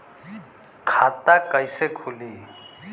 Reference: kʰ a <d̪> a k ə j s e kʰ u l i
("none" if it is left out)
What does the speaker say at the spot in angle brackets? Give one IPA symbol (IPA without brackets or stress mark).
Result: t̪